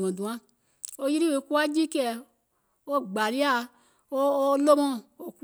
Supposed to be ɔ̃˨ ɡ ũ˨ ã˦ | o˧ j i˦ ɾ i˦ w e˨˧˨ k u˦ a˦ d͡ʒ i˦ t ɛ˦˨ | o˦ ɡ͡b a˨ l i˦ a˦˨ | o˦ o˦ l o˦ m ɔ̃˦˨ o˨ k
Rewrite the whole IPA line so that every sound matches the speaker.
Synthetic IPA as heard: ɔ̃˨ d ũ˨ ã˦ | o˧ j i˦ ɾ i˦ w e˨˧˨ k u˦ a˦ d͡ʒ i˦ k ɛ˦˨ | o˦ ɡ͡b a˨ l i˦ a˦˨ | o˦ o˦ l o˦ m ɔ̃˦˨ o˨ k

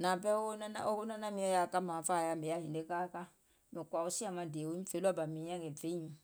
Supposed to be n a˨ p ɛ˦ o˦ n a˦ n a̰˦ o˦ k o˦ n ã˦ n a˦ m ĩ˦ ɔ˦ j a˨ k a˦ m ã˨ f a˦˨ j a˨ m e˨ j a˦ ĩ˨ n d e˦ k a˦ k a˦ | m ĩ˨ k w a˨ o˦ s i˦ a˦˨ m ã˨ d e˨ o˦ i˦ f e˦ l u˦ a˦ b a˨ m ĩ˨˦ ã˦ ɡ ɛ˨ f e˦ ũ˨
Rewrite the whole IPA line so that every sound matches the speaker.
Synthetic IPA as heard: n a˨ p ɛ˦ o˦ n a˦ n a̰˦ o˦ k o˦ n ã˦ n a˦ m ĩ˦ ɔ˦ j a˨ k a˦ m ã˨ f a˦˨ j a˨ m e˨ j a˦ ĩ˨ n d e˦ k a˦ k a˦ | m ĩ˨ k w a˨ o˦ s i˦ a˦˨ m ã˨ d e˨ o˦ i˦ f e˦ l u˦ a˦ b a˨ m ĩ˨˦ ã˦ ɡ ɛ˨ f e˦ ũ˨

